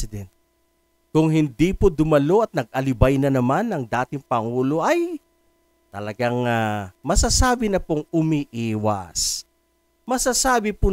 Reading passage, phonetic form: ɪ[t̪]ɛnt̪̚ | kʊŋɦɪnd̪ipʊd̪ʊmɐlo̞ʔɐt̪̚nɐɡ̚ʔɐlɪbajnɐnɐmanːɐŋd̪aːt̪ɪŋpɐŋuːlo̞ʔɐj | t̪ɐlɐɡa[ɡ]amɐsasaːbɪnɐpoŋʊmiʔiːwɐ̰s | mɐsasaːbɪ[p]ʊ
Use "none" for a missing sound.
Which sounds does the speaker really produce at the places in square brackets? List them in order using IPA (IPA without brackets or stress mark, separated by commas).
d̪, ŋ, p